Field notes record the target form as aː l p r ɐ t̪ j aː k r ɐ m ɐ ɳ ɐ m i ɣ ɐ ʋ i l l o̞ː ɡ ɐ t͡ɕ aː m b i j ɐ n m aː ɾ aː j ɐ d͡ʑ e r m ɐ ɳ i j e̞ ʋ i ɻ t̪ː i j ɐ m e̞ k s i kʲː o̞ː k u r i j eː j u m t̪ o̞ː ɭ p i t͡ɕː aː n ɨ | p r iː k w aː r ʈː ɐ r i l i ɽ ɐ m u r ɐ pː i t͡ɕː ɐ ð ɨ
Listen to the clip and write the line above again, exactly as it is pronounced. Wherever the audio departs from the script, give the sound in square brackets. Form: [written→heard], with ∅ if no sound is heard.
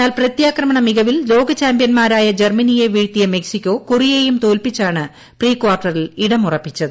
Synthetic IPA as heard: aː l p r ɐ t̪ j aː k r ɐ m ɐ ɳ ɐ m i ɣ ɐ ʋ i l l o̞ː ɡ ɐ t͡ɕ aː m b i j ɐ n m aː ɾ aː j ɐ d͡ʑ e r m ɐ [ɳ→n] i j e̞ ʋ [i→iː] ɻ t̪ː i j ɐ m e̞ k s i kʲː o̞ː k u r i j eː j u m t̪ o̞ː [ɭ→l] p i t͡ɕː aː [n→ɳ] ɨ | p r iː k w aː r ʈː ɐ r i l i ɽ ɐ m u r ɐ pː i t͡ɕː ɐ ð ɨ

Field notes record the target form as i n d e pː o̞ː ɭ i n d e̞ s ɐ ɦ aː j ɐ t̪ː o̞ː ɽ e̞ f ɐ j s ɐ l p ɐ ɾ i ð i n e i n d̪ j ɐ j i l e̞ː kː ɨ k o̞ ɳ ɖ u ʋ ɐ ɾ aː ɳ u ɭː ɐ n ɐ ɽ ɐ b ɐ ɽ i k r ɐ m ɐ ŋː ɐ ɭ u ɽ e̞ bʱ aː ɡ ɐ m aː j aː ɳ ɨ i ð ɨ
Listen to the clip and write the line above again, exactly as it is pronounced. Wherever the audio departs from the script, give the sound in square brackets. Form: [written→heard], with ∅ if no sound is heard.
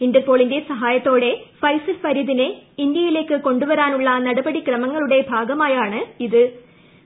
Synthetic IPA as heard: i n d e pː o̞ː ɭ i n d e̞ s ɐ ɦ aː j ɐ t̪ː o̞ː ɽ e̞ f ɐ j s ɐ l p ɐ ɾ i ð i n e i n d̪ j ɐ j i l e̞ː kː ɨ k o̞ ɳ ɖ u ʋ ɐ ɾ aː [ɳ→n] u ɭː ɐ n ɐ ɽ ɐ b ɐ ɽ i k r ɐ m ɐ ŋː ɐ ɭ u ɽ e̞ bʱ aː ɡ ɐ m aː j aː ɳ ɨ i ð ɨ

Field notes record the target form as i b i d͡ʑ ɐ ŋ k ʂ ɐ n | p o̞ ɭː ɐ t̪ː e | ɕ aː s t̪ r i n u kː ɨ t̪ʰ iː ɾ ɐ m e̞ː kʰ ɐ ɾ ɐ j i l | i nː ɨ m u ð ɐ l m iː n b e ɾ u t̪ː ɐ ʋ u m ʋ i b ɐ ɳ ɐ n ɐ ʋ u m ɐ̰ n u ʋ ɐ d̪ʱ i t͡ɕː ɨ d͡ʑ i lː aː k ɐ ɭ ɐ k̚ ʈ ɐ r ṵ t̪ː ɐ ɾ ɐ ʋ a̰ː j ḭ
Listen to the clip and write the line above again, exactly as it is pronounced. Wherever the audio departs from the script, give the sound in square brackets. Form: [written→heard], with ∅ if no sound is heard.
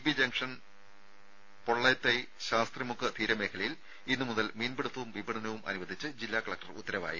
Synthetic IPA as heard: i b i d͡ʑ ɐ ŋ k ʂ ɐ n | p o̞ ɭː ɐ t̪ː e | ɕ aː s t̪ r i [n→m] u kː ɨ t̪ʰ iː ɾ ɐ m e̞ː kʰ ɐ [ɾ→ɭ] ɐ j i l | i nː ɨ m u ð ɐ l m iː n b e [ɾ→ɽ] u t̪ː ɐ ʋ u m ʋ i b ɐ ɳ ɐ n ɐ ʋ u m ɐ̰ n u ʋ ɐ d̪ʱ i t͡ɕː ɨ d͡ʑ i lː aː k ɐ ɭ ɐ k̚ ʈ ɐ r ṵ t̪ː ɐ ɾ ɐ ʋ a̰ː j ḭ

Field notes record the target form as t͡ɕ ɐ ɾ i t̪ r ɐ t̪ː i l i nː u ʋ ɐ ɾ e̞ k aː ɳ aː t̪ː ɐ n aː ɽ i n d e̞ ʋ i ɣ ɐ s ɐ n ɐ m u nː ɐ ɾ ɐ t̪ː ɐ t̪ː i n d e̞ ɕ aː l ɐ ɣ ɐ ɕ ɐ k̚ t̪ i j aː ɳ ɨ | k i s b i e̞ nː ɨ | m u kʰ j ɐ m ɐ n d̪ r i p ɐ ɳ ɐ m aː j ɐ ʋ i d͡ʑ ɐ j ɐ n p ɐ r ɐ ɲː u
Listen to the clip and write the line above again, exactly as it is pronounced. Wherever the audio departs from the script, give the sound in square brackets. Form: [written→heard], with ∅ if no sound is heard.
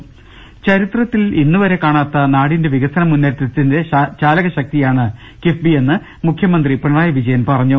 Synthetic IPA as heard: t͡ɕ ɐ ɾ i t̪ r ɐ t̪ː i l i nː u ʋ ɐ ɾ e̞ k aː ɳ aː t̪ː ɐ n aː ɽ i n d e̞ ʋ i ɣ ɐ s ɐ n ɐ m u nː ɐ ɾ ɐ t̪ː ɐ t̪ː i n d e̞ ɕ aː l ɐ ɣ ɐ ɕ ɐ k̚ t̪ i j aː ɳ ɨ | k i [s→f] b i e̞ nː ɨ | m u kʰ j ɐ m ɐ n d̪ r i p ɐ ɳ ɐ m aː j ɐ ʋ i d͡ʑ ɐ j ɐ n p ɐ r ɐ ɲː u

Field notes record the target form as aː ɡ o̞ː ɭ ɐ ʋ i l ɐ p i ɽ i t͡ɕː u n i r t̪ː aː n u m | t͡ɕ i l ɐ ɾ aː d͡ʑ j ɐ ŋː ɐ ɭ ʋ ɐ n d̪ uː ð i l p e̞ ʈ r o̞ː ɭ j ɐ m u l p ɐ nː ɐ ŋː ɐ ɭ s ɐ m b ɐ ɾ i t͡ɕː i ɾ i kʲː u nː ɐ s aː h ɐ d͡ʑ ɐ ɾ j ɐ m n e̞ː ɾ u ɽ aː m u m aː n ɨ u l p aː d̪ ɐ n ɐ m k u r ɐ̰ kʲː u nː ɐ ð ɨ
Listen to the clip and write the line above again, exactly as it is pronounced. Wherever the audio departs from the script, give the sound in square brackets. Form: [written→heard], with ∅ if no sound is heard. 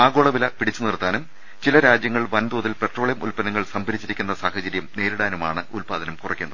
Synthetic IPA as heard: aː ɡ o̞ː ɭ ɐ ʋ i l ɐ p i ɽ i t͡ɕː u n i r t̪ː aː n u m | t͡ɕ i l ɐ ɾ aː d͡ʑ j ɐ ŋː ɐ ɭ ʋ ɐ n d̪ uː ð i l p e̞ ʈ r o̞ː ɭ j ɐ m u l p ɐ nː ɐ ŋː ɐ ɭ s ɐ m b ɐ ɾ i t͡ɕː i ɾ i kʲː u nː ɐ s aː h ɐ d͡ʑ ɐ ɾ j ɐ m n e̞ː ɾ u ɽ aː [m→n] u m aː [n→ɳ] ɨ u l p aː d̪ ɐ n ɐ m k u r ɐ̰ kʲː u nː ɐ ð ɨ

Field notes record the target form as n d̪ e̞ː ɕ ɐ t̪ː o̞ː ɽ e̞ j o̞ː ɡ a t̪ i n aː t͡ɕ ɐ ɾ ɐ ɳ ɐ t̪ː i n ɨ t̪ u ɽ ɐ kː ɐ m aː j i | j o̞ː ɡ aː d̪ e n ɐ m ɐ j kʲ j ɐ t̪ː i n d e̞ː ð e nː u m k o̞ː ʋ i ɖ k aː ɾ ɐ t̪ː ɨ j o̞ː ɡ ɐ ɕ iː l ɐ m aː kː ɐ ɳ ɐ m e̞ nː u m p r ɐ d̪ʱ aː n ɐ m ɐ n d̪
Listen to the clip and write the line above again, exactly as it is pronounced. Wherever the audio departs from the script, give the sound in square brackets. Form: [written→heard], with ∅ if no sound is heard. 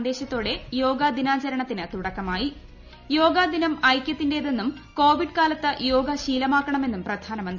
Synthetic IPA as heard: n d̪ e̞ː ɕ ɐ t̪ː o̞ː ɽ e̞ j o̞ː ɡ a [t̪→d̪] i n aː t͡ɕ ɐ ɾ ɐ ɳ ɐ t̪ː i n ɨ t̪ u ɽ ɐ kː ɐ m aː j i | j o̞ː ɡ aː d̪ [e→i] n ɐ m ɐ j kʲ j ɐ t̪ː i n d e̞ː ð e nː u m k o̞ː ʋ i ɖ k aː [ɾ→l] ɐ t̪ː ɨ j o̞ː ɡ ɐ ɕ iː l ɐ m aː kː ɐ ɳ ɐ m e̞ nː u m p r ɐ d̪ʱ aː n ɐ m ɐ n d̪

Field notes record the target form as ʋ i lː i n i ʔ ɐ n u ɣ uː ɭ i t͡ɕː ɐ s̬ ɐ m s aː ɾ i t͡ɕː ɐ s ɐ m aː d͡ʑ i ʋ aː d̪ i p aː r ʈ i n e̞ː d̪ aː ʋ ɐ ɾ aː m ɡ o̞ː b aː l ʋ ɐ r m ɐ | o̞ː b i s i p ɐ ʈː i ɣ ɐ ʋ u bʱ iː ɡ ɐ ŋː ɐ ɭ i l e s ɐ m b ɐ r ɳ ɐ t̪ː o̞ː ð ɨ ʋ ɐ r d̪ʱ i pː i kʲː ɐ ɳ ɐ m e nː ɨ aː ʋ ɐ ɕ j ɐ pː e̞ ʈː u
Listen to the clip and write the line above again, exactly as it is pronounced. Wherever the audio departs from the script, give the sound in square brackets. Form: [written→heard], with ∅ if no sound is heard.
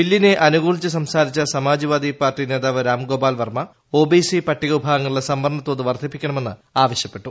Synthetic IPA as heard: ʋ i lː i n [i→e] ʔ ɐ n u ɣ uː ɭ i t͡ɕː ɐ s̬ ɐ m s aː ɾ i t͡ɕː ɐ s ɐ m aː d͡ʑ i ʋ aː d̪ i p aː r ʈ i n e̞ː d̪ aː ʋ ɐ ɾ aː m ɡ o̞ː b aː l ʋ ɐ r m ɐ | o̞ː b i s i p ɐ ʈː i ɣ ɐ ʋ u bʱ [iː→aː] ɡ ɐ ŋː ɐ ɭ i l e s ɐ m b ɐ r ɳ ɐ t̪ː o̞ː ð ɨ ʋ ɐ r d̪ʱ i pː i kʲː ɐ ɳ ɐ m e nː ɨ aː ʋ ɐ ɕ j ɐ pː e̞ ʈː u

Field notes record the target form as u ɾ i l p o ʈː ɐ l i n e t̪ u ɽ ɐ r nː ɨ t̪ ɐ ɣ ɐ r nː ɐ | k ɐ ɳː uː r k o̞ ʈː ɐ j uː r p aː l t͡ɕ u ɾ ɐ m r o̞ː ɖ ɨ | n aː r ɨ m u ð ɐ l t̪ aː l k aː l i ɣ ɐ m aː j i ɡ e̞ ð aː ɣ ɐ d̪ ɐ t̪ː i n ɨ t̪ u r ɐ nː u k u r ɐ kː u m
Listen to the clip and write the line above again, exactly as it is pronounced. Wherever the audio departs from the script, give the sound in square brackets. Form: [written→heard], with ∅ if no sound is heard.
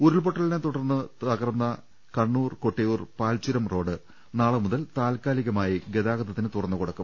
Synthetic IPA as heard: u ɾ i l p o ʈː ɐ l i n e t̪ u ɽ ɐ r nː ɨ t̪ ɐ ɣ ɐ r nː ɐ | k ɐ ɳː uː r k o̞ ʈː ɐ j uː r p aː l t͡ɕ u ɾ ɐ m r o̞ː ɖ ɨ | n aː [r→ɭ] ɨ m u ð ɐ l t̪ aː l k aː l i ɣ ɐ m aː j i ɡ e̞ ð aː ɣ ɐ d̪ ɐ t̪ː i n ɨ t̪ u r ɐ nː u k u [r→ɽ] ɐ kː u m

